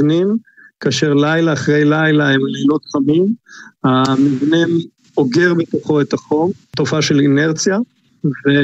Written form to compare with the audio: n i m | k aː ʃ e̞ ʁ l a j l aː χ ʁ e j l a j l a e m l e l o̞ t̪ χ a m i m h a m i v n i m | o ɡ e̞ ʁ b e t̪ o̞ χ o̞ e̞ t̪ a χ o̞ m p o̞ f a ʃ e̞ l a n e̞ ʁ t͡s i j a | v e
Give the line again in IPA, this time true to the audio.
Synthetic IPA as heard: n i m | k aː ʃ e̞ ʁ l a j l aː χ ʁ e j l a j l a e m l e l o̞ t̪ χ a m i m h a m i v n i m | o ɡ e̞ ʁ b e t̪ o̞ χ o̞ e̞ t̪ a χ o̞ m t o̞ f a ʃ e̞ l i n e̞ ʁ t͡s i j a | v e